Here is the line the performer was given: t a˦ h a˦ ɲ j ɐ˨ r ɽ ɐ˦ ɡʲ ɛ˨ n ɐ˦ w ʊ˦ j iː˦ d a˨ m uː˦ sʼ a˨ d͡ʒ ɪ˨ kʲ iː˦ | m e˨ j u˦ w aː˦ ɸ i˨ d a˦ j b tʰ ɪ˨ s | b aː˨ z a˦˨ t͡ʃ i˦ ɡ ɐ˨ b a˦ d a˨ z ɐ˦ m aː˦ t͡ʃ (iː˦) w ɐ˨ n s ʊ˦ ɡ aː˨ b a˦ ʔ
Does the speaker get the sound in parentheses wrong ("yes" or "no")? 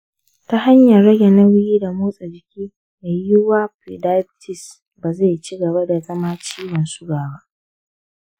no